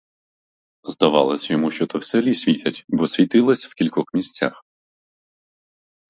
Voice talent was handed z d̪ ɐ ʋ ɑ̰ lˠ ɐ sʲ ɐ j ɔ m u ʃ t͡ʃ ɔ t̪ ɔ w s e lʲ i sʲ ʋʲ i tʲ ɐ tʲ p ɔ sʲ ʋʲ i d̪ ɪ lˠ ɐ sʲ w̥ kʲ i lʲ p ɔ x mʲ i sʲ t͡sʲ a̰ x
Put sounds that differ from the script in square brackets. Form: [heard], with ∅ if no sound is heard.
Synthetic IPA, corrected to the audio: z d̪ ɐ ʋ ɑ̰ lˠ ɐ sʲ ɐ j ɔ m u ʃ t͡ʃ ɔ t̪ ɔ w s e lʲ i sʲ ʋʲ i tʲ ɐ tʲ [b] ɔ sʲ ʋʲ i [t̪] ɪ lˠ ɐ sʲ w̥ kʲ i lʲ [k] ɔ x mʲ i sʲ t͡sʲ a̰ x